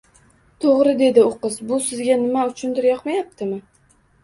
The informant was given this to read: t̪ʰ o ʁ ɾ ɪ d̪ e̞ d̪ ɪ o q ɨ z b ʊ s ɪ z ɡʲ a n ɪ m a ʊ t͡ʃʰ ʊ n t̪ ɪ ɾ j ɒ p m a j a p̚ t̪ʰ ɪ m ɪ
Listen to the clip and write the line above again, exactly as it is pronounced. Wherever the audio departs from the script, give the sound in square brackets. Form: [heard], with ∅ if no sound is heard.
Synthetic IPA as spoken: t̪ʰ o ʁ ɾ ɪ d̪ e̞ d̪ ɪ o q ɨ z b ʊ s ɪ z ɡʲ a n ɪ m a ʊ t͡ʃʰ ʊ n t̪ ɪ ɾ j ɒ [q] m a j a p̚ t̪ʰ ɪ m ɪ